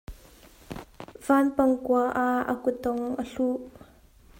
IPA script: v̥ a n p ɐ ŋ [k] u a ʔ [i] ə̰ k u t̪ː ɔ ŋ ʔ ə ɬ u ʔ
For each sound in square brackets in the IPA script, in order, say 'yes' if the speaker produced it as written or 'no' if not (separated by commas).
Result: yes, no